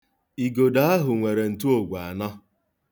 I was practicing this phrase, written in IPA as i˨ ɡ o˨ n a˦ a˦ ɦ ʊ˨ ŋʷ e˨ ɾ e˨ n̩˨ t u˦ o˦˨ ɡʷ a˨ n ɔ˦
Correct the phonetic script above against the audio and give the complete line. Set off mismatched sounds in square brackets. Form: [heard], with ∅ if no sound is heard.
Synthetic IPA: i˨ ɡ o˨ [d] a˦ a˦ ɦ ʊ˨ ŋʷ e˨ ɾ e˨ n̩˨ t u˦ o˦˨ ɡʷ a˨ n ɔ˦